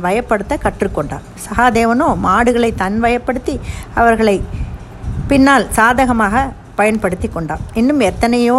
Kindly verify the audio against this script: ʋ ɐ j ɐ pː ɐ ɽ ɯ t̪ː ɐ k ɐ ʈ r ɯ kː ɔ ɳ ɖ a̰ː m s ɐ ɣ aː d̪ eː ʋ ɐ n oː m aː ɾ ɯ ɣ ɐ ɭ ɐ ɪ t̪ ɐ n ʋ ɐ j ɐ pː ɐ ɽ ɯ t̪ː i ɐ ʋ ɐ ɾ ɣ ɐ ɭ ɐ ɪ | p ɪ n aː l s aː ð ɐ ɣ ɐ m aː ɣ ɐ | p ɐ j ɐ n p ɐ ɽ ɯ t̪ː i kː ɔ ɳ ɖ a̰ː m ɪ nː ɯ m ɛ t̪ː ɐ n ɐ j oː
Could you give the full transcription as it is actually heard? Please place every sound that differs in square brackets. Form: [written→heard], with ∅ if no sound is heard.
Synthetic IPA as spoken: ʋ ɐ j ɐ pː ɐ ɽ ɯ t̪ː ɐ k ɐ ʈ r ɯ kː ɔ ɳ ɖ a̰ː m s ɐ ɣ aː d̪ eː ʋ ɐ n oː m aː [ɾ→ɽ] ɯ ɣ ɐ ɭ ɐ ɪ t̪ ɐ n ʋ ɐ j ɐ pː ɐ ɽ ɯ t̪ː i ɐ ʋ ɐ ɾ ɣ ɐ ɭ ɐ ɪ | p ɪ [n→nː] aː l s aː ð ɐ ɣ ɐ m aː ɣ ɐ | p ɐ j ɐ n p ɐ ɽ ɯ t̪ː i kː ɔ ɳ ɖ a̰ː m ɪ nː ɯ m ɛ t̪ː ɐ n ɐ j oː